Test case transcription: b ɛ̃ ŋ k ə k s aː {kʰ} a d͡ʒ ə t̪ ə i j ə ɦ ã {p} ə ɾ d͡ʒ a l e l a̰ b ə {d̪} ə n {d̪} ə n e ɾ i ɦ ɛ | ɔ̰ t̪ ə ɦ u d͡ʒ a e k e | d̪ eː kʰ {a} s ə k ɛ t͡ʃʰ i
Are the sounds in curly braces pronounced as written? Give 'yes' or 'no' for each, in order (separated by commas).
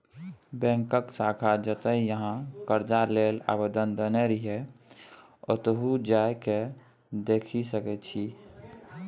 yes, no, yes, yes, no